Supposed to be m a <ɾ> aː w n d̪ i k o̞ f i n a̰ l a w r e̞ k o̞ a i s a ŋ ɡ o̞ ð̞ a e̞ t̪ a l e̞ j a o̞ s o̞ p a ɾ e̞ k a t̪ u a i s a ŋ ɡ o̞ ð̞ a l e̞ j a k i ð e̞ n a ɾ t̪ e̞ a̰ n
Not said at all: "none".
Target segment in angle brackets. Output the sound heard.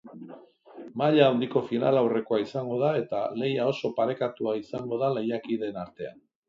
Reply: ʎ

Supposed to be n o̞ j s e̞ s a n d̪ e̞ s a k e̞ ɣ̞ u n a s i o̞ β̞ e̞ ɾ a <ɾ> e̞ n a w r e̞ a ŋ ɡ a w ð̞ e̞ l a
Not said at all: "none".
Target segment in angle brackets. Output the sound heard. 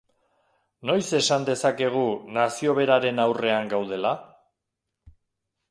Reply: ɾ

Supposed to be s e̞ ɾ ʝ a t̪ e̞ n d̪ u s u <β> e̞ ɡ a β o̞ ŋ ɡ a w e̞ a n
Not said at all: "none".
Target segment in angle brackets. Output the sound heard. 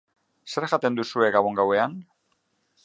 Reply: none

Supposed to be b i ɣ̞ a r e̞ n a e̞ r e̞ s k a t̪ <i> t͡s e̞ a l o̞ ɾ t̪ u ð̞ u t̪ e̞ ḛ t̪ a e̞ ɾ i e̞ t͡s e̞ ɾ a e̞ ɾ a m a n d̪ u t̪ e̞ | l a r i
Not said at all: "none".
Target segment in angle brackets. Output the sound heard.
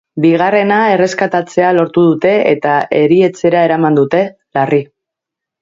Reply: a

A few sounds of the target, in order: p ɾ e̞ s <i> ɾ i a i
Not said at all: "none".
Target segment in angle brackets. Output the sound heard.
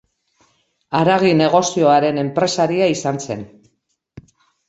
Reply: a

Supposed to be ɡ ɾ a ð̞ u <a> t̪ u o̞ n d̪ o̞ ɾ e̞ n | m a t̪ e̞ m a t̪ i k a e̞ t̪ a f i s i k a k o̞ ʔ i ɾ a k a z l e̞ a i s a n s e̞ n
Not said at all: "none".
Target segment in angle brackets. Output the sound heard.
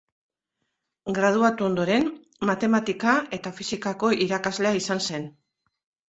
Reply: a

